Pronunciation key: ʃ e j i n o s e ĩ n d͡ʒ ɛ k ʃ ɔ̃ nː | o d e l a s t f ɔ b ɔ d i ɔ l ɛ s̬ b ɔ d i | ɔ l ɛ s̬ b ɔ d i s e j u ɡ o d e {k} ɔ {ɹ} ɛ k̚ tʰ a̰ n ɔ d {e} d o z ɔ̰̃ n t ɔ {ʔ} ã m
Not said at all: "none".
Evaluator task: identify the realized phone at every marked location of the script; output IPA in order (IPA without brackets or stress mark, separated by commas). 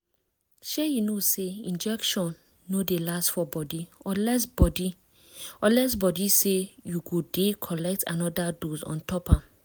kʰ, l, a, p